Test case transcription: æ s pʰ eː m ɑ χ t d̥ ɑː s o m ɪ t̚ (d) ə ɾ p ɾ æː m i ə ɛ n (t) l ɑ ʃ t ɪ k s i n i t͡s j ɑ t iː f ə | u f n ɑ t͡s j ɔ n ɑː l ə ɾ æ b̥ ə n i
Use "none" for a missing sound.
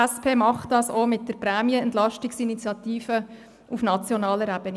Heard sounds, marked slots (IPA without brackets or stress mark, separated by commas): d, t